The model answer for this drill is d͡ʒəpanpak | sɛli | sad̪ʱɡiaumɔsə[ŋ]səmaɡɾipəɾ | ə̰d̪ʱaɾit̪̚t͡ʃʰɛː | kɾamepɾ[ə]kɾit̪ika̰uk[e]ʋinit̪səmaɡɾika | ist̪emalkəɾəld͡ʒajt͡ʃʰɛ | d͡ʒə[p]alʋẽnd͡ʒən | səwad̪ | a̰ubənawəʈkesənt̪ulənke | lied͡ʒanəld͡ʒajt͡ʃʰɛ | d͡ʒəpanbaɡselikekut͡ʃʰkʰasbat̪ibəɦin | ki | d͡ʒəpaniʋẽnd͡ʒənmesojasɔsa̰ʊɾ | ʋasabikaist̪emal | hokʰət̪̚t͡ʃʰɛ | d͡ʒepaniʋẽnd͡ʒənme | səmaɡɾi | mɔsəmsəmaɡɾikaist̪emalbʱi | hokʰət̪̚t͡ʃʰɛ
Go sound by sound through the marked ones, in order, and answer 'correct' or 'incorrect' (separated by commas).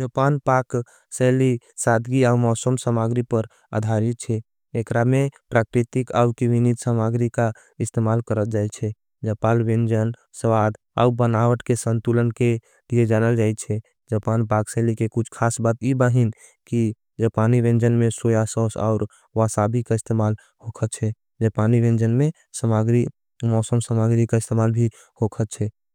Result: incorrect, incorrect, incorrect, correct